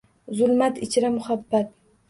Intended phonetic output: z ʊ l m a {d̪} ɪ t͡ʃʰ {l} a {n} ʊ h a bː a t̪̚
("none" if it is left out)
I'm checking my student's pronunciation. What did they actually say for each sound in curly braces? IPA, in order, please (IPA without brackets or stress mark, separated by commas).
t̪, ɾ, m